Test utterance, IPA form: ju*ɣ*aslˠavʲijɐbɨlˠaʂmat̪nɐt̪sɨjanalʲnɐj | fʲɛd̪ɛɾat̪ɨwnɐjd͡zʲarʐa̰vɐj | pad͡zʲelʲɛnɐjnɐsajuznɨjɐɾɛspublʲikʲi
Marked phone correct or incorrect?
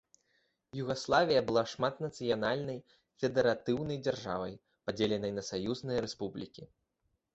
correct